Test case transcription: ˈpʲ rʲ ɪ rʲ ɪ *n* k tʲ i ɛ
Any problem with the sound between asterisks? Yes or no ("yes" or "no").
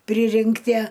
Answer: yes